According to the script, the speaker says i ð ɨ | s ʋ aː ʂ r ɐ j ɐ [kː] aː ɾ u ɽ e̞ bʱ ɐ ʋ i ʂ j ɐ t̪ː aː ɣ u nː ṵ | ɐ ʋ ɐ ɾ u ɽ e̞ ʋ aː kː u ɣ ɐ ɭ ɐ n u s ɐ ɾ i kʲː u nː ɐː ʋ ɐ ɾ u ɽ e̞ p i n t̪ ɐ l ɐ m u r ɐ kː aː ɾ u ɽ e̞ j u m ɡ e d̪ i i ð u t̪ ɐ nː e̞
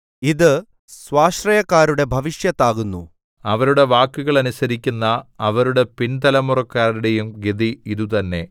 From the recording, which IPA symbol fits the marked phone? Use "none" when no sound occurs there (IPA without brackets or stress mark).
kː